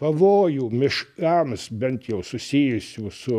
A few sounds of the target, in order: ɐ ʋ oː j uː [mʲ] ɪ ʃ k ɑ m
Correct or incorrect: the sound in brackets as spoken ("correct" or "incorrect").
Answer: correct